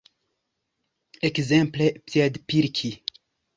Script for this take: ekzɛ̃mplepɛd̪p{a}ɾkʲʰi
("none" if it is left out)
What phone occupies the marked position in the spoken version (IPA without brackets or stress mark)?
i